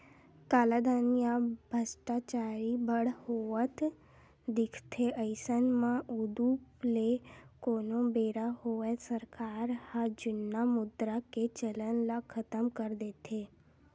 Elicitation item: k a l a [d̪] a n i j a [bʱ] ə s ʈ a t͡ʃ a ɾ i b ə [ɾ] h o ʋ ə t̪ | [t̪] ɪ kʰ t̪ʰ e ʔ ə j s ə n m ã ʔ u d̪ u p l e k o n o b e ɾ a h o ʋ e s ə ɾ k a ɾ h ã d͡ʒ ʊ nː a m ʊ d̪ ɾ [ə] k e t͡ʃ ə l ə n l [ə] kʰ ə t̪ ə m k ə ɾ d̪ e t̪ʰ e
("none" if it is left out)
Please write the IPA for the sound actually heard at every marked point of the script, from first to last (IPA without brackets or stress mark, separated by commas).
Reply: d̪, bʱ, ɽ, d̪, a, a